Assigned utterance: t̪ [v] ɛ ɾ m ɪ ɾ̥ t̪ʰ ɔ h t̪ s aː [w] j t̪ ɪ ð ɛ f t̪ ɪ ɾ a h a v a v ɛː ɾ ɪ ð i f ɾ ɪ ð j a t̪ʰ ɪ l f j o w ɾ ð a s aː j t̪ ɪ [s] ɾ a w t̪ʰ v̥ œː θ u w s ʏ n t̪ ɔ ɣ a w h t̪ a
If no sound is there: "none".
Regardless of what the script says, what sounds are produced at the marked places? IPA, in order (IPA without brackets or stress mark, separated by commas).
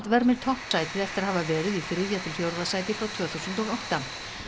v, none, f